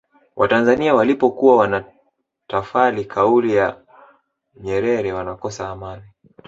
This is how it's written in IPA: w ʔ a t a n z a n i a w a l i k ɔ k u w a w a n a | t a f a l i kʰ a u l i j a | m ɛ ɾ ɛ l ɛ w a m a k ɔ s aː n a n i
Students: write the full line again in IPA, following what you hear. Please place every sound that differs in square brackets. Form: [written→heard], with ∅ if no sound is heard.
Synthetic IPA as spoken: w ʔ a t a n z a n i a w a l i [k→p] ɔ k u w a w a n a | t a f a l i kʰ a u l i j a | [m→ɲ] ɛ ɾ ɛ [l→ɾ] ɛ w a [m→n] a k ɔ s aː [n→m] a n i